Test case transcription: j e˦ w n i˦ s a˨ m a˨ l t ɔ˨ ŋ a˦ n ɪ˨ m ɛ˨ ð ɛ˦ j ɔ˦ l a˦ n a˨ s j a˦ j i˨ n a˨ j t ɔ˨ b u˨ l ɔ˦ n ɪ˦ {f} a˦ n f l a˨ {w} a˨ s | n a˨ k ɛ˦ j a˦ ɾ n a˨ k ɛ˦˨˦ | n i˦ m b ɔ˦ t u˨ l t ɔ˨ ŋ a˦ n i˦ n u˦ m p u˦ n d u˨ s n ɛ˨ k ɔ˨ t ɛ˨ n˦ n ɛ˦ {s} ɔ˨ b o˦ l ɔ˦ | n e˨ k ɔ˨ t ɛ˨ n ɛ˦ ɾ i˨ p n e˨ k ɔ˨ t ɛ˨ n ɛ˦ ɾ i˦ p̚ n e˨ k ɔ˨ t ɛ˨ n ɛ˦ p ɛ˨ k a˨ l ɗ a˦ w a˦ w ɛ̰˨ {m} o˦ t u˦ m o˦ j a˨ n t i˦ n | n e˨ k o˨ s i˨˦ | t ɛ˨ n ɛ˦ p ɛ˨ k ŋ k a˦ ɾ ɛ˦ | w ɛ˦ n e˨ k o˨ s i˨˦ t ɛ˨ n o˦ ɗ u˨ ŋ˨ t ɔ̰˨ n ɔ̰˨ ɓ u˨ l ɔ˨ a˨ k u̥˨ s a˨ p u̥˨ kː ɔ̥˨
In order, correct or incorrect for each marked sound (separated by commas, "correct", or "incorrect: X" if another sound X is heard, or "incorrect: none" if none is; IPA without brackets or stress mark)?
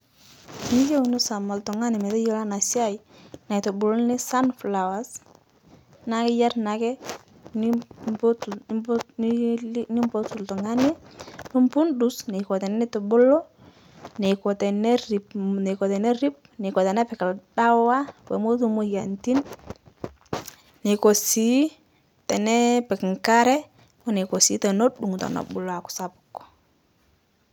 incorrect: s, correct, incorrect: t, correct